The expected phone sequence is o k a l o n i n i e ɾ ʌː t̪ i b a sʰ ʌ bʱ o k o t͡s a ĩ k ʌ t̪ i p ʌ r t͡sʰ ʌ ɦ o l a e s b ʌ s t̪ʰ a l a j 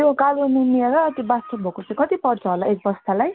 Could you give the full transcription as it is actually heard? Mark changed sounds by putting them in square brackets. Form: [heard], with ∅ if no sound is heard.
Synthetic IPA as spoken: o k a l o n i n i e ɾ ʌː t̪ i b a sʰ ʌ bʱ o k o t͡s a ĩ k ʌ t̪ i p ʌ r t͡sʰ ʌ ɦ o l a e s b ʌ s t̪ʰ a l a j